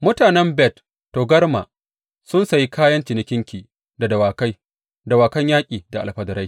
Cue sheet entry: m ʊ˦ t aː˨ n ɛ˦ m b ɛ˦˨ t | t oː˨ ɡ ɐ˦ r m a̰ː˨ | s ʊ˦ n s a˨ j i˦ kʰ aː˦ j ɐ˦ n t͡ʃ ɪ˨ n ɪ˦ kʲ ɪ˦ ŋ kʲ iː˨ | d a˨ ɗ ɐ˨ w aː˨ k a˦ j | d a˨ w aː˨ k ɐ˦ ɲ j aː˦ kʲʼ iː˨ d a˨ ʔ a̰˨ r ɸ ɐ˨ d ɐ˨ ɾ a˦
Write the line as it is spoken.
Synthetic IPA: m ʊ˦ t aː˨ n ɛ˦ m b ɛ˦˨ t | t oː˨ ɡ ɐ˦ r m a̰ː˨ | s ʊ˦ n s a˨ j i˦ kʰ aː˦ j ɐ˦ n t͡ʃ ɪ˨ n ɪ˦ kʲ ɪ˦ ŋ kʲ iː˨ | d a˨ d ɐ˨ w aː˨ k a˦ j | d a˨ w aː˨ k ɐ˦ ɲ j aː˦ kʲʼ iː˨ d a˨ ʔ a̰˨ l ɸ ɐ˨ d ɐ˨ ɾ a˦

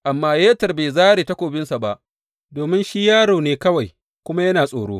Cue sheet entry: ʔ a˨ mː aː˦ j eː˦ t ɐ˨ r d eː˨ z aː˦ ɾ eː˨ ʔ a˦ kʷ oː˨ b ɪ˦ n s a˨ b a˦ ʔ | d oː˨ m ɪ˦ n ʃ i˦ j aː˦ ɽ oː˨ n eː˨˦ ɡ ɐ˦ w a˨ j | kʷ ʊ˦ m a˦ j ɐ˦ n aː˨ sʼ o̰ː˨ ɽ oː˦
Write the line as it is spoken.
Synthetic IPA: ʔ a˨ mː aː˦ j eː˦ t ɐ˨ r b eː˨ z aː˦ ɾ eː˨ t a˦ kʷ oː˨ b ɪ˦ n s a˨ b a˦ ʔ | d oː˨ m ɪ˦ n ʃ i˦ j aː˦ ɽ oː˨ n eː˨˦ k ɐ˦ w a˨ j | kʷ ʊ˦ m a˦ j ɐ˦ n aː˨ sʼ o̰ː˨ ɽ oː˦

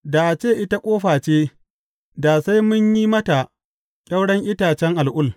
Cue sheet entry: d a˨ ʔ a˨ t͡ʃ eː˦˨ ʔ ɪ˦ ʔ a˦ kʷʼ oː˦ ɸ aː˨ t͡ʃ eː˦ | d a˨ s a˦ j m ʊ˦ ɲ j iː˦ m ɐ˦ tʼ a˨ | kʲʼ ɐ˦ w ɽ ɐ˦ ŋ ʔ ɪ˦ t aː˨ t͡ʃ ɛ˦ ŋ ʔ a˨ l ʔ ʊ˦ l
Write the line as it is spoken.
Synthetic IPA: d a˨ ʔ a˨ t͡ʃ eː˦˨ ʔ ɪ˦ t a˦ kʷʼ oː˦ ɸ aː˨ t͡ʃ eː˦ | d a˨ s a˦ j m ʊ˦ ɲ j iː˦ m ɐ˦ t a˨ | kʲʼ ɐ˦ w ɽ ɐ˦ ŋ ʔ ɪ˦ t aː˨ t͡ʃ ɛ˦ ŋ ʔ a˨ l ʔ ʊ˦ l

